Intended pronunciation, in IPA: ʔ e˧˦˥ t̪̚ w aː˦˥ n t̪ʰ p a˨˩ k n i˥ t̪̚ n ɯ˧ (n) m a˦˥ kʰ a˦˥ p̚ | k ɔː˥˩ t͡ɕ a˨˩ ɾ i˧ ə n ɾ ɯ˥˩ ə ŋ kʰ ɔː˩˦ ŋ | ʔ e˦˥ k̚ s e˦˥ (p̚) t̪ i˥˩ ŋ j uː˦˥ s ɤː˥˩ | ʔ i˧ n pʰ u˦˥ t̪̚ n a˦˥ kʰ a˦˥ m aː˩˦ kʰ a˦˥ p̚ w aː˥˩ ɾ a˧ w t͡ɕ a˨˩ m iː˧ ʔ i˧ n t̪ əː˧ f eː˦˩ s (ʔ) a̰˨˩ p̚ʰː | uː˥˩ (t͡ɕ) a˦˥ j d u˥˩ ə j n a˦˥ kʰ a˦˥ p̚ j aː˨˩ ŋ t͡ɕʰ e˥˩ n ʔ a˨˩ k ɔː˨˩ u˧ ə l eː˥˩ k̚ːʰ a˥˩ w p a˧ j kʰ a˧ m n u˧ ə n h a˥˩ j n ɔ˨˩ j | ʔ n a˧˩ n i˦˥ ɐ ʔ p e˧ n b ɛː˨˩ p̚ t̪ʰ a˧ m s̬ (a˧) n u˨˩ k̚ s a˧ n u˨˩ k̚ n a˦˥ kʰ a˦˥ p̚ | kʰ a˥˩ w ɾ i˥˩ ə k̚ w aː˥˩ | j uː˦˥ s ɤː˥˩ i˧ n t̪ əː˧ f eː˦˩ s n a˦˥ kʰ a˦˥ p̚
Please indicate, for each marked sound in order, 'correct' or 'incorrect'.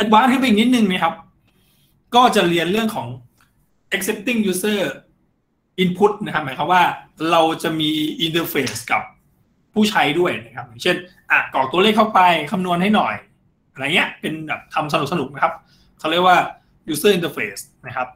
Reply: incorrect, correct, incorrect, incorrect, correct

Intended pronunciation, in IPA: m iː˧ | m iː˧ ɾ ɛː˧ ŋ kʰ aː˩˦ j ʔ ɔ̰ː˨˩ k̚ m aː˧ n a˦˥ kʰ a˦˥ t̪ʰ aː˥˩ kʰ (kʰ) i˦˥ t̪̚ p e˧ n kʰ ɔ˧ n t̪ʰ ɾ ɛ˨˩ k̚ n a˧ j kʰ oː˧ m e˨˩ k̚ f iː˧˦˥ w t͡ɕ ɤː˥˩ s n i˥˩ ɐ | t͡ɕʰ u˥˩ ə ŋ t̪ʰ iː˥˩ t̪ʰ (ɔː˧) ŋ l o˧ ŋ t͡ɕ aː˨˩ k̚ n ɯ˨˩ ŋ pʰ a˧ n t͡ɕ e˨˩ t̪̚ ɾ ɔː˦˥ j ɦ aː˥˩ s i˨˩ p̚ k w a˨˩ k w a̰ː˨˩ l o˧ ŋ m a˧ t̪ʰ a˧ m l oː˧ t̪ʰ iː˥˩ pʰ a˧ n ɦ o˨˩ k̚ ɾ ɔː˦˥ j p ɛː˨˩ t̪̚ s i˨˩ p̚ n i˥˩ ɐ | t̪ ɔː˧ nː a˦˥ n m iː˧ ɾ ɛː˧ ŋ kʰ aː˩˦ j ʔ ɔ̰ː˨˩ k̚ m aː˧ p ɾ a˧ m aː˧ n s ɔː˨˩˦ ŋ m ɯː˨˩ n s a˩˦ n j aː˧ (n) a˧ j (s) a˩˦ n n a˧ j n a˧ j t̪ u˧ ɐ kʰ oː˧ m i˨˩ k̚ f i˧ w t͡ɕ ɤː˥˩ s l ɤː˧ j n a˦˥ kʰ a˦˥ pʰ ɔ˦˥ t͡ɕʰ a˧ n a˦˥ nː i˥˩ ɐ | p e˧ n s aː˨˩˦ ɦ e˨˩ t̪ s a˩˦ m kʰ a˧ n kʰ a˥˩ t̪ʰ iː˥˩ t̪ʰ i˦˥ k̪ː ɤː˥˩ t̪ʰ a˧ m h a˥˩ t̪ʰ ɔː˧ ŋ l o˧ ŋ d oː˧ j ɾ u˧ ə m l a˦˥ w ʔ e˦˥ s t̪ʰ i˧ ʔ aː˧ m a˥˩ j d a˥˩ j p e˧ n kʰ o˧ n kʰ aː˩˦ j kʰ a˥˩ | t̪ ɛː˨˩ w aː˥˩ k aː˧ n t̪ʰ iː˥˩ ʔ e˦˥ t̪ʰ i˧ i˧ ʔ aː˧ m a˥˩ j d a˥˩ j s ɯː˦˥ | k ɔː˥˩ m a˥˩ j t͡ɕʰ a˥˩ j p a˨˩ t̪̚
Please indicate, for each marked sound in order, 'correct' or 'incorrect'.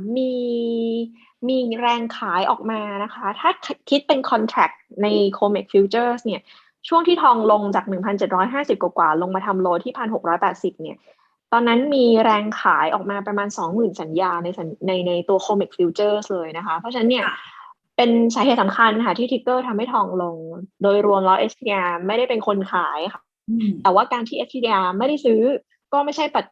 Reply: correct, correct, correct, correct

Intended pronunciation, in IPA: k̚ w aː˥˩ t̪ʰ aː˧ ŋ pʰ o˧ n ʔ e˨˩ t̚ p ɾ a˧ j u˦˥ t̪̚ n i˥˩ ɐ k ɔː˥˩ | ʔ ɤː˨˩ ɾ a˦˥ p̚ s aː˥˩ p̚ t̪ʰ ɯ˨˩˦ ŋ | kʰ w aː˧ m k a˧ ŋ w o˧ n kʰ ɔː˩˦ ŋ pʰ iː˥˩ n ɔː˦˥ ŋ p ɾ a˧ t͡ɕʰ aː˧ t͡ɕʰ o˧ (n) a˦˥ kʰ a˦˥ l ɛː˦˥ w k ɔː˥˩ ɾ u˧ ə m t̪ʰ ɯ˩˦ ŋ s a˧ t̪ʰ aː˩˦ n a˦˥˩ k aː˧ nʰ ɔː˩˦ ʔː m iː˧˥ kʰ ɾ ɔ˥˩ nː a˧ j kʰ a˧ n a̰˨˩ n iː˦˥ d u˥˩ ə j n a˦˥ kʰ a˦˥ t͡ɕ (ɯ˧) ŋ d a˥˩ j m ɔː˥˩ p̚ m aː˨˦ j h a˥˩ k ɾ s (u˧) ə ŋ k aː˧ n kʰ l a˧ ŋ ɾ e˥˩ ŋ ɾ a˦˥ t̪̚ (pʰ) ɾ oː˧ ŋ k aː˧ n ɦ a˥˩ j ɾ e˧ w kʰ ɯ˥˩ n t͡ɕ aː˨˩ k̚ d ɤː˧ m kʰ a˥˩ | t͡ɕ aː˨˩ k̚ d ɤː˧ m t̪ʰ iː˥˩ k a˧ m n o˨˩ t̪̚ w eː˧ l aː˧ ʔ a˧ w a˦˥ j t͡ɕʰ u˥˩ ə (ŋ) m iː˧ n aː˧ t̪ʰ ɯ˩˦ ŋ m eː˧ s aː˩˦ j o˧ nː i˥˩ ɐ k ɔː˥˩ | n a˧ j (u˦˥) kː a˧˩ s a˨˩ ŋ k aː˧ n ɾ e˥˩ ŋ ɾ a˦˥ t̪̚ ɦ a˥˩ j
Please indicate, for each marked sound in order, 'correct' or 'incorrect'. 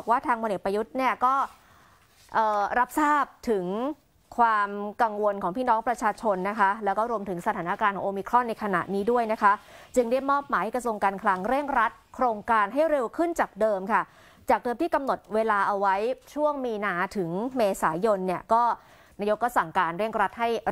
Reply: incorrect, correct, correct, incorrect, correct, incorrect

